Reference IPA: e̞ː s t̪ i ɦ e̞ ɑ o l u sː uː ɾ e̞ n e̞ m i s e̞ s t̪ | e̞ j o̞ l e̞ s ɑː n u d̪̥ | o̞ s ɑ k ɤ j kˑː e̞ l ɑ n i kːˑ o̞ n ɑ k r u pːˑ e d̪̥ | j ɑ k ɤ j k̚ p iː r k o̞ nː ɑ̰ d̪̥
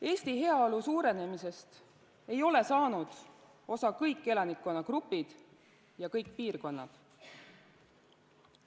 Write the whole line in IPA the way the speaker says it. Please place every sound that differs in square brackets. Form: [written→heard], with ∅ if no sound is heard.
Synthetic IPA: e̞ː s t̪ i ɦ e̞ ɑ o l u [sː→s] uː ɾ e̞ n e̞ m i s e̞ s t̪ | e̞ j o̞ l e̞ s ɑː n u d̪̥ | o̞ s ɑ k ɤ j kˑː e̞ l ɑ n i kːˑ o̞ n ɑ k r u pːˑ [e→i] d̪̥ | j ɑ k ɤ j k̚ p iː r k o̞ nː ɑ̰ d̪̥

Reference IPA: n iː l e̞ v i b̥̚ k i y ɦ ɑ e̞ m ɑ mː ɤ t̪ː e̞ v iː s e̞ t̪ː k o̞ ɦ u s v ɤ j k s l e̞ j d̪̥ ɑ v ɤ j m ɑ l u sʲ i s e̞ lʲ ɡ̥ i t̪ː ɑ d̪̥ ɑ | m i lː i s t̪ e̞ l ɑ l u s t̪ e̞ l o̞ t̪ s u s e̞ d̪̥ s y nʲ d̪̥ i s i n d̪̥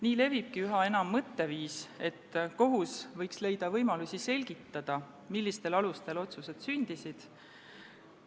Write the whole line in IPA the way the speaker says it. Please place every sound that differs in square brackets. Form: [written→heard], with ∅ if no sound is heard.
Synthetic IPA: n iː l e̞ v i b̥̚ k i y ɦ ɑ e̞ [m→n] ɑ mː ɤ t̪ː e̞ v iː s e̞ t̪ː k o̞ ɦ u s v ɤ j k s l e̞ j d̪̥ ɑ v ɤ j m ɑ l u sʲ i s e̞ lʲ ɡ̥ i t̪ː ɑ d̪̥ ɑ | m i lː i s t̪ e̞ l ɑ l u s t̪ e̞ l o̞ t̪ s u s e̞ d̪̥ s y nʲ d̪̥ i s i [n→∅] d̪̥

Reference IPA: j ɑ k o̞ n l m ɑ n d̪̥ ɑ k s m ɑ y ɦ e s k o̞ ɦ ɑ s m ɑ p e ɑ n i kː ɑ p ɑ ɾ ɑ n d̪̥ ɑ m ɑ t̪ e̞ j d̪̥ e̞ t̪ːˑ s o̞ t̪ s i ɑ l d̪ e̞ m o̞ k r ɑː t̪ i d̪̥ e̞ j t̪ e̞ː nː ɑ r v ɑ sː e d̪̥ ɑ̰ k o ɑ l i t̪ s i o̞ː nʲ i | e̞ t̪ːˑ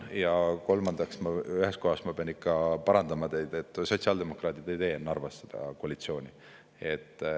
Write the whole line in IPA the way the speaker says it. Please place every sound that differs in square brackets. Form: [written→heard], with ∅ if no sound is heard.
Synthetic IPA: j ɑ k o̞ [n→∅] l m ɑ n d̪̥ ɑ k s m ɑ y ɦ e s k o̞ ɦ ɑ s m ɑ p e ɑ n i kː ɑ p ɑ ɾ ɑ n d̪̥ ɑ m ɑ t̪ e̞ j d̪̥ e̞ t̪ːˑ s o̞ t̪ s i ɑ l d̪ e̞ m o̞ k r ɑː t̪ i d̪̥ e̞ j t̪ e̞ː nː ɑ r v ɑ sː e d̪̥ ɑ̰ k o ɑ l i t̪ s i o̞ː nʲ i | e̞ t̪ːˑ

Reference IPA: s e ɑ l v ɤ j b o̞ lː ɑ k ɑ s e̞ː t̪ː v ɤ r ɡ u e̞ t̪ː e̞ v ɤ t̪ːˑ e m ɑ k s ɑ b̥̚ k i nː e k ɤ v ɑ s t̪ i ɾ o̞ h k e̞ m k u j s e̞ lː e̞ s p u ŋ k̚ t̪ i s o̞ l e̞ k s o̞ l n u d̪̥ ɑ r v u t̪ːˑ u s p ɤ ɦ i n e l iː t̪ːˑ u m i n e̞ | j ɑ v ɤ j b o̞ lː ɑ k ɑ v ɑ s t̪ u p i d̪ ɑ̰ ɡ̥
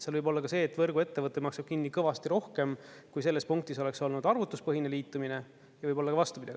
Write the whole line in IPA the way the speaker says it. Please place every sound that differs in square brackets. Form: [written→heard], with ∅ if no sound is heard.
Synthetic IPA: s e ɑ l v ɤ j b o̞ lː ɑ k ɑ s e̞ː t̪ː v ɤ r ɡ u e̞ t̪ː e̞ v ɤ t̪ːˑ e m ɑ k s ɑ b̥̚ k i nː [e→i] k ɤ v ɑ s t̪ i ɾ o̞ h k e̞ m k u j s e̞ lː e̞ s p u ŋ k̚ t̪ i s o̞ l e̞ k s o̞ l n u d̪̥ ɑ r v u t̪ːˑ u s p ɤ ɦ i n e l iː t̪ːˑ u m i n e̞ | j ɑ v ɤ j b o̞ lː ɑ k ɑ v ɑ s t̪ u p i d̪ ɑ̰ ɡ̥

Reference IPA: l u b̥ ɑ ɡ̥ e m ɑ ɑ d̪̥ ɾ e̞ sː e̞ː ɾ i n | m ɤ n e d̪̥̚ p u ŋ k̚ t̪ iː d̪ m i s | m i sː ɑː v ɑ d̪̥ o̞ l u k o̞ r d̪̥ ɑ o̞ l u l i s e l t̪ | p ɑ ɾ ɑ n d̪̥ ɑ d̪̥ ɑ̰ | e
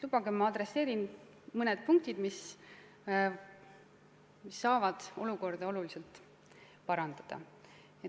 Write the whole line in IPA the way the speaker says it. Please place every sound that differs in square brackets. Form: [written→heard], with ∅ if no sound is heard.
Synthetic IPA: l u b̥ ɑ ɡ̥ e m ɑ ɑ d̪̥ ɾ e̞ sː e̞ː ɾ i n | m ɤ n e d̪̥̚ p u ŋ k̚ t̪ [iː→i] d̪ m i s | m i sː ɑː v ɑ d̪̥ o̞ l u k o̞ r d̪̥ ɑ o̞ l u l i s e l t̪ | p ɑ ɾ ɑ n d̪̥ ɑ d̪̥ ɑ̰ | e

